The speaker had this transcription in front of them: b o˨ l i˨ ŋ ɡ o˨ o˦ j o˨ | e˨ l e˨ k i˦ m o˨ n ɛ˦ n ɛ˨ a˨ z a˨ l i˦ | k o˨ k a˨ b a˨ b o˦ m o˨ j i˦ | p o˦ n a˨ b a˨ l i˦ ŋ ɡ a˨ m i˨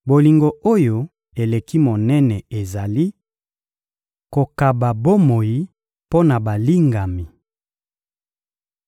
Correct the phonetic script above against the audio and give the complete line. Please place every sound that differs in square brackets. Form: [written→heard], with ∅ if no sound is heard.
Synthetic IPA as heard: b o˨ l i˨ ŋ ɡ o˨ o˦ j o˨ | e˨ l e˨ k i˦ m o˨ n ɛ˦ n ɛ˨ [a˨→e˨] z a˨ l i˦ | k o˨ k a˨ b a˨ b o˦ m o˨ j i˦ | p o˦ n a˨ b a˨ l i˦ ŋ ɡ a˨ m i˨